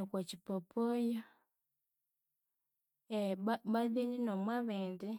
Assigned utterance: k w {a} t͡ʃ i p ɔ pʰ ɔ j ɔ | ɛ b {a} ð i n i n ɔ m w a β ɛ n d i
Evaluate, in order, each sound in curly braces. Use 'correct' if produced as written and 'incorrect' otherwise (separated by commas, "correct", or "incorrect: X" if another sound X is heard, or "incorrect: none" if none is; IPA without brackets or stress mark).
correct, correct